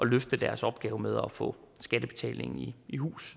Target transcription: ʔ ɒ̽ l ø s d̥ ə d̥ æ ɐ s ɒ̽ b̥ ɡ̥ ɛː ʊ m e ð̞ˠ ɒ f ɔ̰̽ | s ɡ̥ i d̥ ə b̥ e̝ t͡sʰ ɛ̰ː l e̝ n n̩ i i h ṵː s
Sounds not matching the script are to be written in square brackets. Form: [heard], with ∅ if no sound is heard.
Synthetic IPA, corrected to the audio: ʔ ɒ̽ l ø [f] d̥ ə d̥ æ ɐ s ɒ̽ b̥ ɡ̥ ɛː ʊ m e ð̞ˠ ɒ f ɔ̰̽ | s ɡ̥ [æ] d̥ ə b̥ e̝ t͡sʰ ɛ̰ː l e̝ [ŋ] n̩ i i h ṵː s